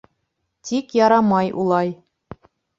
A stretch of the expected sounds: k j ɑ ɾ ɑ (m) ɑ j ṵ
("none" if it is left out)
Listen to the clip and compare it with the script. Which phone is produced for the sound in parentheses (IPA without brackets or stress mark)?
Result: m